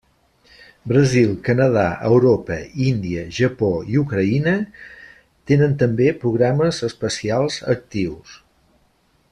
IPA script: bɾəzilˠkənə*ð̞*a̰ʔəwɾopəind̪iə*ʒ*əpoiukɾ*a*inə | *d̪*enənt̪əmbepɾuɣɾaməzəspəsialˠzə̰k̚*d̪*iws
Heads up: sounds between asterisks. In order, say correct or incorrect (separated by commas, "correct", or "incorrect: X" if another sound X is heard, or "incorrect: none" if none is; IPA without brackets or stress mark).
correct, correct, incorrect: ə, incorrect: t̪, incorrect: t̪